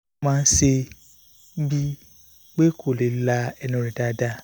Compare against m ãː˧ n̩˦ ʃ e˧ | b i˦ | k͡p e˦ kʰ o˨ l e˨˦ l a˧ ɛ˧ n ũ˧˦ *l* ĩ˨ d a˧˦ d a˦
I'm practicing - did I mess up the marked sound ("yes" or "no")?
yes